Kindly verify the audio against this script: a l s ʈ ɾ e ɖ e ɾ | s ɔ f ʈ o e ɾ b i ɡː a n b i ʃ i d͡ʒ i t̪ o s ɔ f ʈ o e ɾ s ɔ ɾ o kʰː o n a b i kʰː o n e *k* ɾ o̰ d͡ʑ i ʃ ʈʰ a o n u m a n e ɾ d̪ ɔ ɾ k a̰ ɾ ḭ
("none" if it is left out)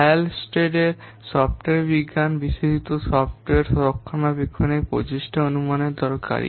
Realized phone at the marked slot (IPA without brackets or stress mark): p